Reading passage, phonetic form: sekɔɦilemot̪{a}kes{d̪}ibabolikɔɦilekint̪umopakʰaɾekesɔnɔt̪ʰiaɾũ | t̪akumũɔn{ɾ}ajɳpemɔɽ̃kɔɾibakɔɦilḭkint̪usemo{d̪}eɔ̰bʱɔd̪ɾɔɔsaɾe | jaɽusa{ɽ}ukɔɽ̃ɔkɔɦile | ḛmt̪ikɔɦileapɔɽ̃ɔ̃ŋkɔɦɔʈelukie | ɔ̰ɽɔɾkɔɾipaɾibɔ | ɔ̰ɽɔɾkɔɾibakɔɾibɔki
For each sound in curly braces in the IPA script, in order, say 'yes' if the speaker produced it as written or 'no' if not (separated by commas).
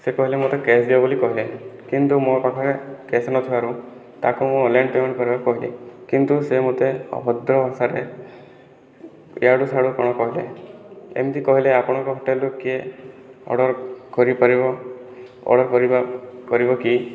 no, yes, no, no, yes